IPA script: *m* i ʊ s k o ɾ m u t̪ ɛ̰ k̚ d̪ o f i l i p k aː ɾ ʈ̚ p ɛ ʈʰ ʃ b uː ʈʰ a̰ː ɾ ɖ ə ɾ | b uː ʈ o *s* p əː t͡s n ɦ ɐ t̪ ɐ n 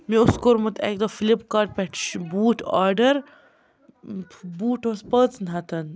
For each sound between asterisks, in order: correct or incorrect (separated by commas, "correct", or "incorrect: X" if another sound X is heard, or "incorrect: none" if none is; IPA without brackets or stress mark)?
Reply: correct, correct